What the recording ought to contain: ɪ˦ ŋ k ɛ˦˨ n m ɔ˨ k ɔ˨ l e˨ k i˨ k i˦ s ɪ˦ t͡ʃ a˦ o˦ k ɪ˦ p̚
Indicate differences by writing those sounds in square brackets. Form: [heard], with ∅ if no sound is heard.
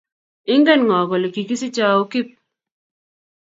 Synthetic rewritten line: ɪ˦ ŋ [ɡ] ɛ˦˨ n [ŋ] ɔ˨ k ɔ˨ l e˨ k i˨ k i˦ s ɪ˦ t͡ʃ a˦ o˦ k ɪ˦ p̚